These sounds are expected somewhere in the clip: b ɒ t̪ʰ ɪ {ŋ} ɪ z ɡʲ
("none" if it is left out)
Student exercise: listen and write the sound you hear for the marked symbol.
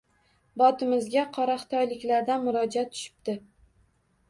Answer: m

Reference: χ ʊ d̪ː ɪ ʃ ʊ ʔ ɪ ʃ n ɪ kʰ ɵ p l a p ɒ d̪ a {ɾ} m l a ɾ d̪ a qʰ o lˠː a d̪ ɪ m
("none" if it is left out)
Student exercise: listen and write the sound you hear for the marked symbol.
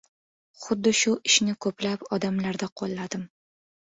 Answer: none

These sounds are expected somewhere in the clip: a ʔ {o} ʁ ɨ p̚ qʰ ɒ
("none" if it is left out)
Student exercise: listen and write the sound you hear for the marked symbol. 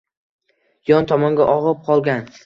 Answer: ɒ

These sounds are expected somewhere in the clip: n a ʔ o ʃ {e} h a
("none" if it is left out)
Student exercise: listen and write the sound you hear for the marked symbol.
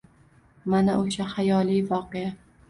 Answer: a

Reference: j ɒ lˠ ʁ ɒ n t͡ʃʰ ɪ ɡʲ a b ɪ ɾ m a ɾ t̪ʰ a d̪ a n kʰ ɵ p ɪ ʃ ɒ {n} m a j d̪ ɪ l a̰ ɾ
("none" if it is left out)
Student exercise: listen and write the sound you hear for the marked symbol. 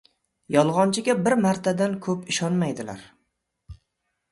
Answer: n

